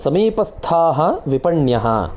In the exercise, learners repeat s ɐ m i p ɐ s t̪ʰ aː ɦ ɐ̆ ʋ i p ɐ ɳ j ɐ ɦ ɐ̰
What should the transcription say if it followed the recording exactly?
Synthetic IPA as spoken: s ɐ m iː p ɐ s t̪ʰ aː ɦ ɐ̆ ʋ i p ɐ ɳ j ɐ ɦ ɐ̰